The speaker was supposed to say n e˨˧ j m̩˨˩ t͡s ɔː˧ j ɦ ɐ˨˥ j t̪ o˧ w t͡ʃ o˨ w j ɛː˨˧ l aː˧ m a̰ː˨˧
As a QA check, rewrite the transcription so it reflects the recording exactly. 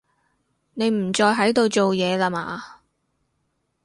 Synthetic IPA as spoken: n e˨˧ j m̩˨˩ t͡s ɔː˧ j ɦ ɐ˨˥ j t̪ o˧ w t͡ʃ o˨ w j ɛː˨˧ l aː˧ m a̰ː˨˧